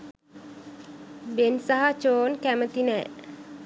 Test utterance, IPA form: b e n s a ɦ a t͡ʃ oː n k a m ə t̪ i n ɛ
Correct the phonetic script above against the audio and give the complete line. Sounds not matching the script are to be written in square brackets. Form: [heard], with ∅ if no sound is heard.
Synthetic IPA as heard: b e n s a ɦ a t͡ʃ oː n k [æ] m ə t̪ i n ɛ